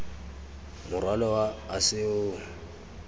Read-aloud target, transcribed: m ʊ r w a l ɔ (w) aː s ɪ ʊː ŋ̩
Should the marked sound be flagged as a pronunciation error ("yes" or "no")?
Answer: no